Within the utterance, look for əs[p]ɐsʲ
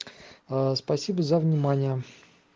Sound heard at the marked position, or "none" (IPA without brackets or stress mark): p